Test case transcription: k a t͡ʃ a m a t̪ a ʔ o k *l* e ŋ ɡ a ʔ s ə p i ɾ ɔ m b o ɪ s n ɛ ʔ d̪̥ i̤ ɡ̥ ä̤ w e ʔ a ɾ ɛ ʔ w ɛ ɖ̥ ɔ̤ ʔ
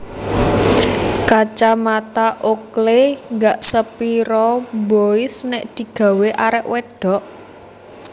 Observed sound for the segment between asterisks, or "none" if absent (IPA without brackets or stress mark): l